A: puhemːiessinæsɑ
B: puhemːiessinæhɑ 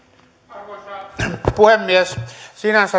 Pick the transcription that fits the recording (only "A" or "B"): A